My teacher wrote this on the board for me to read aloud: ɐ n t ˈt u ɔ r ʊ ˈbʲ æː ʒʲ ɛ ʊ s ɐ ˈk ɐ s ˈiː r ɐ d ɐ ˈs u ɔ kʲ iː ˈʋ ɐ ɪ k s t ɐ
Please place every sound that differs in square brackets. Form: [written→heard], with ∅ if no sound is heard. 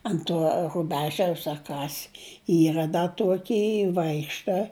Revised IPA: ɐ n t ˈt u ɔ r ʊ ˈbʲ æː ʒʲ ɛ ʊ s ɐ ˈk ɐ s ˈiː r ɐ d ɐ [ˈs→ˈt] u ɔ kʲ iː ˈʋ ɐ ɪ k [s→ʃ] t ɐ